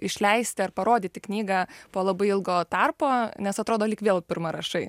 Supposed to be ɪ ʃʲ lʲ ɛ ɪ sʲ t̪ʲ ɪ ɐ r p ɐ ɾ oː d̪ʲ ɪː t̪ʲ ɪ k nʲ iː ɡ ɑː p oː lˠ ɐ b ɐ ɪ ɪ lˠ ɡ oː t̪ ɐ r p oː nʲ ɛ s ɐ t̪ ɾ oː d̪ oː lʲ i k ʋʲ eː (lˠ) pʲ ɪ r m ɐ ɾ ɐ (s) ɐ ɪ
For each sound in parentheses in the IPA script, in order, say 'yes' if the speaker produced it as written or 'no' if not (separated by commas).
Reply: yes, no